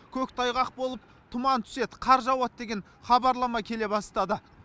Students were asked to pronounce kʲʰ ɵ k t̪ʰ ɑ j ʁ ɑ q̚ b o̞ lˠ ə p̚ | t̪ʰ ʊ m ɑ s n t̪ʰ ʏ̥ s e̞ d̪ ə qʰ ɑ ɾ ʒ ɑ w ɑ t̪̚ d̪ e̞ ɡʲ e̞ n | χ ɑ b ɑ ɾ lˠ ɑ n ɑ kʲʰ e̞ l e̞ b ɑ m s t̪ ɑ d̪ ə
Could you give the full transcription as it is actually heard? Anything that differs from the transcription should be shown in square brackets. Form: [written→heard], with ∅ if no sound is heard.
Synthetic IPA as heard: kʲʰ ɵ k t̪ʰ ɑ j ʁ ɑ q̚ b o̞ lˠ ə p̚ | t̪ʰ ʊ m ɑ [s→∅] n t̪ʰ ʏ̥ s e̞ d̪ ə qʰ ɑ ɾ ʒ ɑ w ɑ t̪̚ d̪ e̞ ɡʲ e̞ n | χ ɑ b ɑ ɾ lˠ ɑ [n→m] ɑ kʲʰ e̞ l e̞ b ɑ [m→∅] s t̪ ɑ d̪ ə